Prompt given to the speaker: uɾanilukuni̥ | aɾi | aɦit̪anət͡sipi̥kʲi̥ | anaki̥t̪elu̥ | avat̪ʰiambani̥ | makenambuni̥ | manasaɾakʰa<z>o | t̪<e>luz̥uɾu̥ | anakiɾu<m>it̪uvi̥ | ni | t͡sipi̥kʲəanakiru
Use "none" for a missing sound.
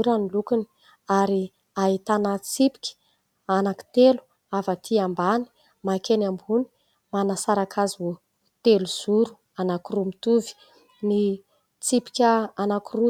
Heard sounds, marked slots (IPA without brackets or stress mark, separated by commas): z, e, m